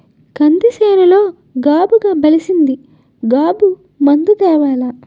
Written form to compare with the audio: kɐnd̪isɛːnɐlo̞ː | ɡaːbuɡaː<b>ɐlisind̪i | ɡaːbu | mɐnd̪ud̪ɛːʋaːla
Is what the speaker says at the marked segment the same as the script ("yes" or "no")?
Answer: yes